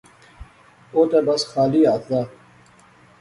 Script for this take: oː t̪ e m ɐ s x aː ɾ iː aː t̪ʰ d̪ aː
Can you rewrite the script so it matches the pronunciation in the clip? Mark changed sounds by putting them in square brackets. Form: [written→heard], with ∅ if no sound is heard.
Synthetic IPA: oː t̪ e [m→b] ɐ s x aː [ɾ→l] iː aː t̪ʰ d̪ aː